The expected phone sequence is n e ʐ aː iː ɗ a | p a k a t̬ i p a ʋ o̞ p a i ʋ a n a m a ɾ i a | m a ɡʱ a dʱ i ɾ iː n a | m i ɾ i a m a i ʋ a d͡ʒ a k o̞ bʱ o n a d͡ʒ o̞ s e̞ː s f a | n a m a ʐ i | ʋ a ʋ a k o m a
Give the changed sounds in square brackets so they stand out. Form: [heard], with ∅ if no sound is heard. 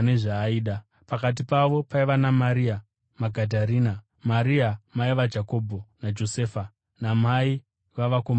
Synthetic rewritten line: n e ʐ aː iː ɗ a | p a k a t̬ i p a ʋ o̞ p a i ʋ a n a m a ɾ i a | m a ɡʱ a dʱ [a] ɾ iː n a | m [a] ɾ i a m a i ʋ a d͡ʒ a k o̞ bʱ o n a d͡ʒ o̞ s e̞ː [∅] f a | n a m a [∅] i | ʋ a ʋ a k o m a